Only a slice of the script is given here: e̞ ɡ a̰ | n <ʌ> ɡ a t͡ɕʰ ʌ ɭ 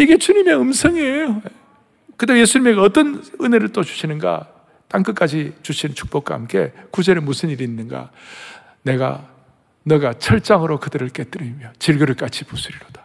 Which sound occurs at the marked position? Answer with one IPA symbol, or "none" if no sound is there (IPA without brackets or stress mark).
ʌ